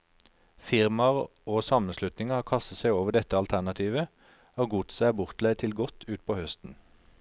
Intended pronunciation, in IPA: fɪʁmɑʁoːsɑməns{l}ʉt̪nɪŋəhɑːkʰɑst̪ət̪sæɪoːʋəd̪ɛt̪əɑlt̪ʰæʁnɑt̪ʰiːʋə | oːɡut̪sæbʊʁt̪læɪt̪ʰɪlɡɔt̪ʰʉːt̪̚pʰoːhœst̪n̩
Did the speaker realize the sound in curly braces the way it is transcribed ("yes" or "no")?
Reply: yes